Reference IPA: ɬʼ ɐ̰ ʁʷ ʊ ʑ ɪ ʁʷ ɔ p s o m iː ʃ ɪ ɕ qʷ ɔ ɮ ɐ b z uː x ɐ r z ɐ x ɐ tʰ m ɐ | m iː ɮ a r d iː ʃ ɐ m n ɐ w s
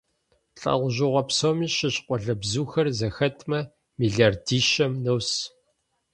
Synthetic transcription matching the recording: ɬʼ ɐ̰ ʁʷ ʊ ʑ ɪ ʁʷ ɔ p s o m iː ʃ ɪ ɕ qʷ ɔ ɮ ɐ b z uː x ɐ r z ɐ x ɐ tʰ m ɐ | m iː ɮ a r d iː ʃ ɐ m n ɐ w s